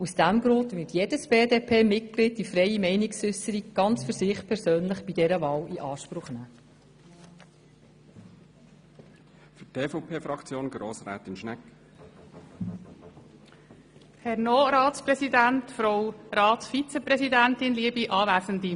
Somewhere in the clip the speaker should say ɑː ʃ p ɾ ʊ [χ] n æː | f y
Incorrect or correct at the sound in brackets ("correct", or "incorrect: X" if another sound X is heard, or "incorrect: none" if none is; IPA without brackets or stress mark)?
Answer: correct